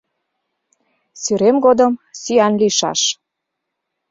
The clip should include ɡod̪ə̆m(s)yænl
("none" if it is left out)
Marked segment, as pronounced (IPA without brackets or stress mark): s